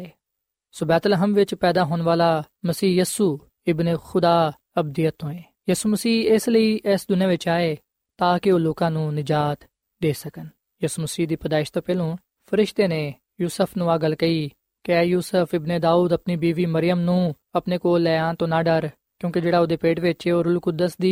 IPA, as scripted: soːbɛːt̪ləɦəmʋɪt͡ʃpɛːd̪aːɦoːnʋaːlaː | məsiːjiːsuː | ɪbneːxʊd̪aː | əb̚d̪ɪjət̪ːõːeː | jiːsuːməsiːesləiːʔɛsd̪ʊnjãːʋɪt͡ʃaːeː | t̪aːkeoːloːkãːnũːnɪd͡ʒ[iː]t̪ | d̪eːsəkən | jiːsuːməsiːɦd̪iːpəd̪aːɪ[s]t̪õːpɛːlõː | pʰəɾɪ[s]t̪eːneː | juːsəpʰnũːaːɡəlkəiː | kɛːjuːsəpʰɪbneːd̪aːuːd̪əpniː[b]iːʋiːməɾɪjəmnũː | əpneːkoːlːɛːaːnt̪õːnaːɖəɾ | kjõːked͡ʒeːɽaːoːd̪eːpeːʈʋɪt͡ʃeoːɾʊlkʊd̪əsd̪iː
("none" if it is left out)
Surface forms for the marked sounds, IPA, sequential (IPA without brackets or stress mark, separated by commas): aː, ʃ, ʃ, b